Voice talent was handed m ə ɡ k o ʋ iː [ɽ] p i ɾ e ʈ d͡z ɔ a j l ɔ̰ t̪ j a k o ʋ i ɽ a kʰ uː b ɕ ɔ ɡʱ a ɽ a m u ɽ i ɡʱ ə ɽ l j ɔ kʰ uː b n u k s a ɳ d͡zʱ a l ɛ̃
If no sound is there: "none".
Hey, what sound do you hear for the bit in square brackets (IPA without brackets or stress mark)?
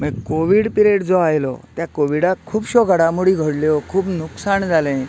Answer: ɽ